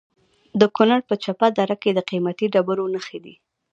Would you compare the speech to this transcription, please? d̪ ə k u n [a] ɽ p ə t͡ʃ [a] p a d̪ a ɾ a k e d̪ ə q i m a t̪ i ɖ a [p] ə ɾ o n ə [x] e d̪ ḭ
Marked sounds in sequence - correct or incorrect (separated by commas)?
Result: correct, correct, incorrect, correct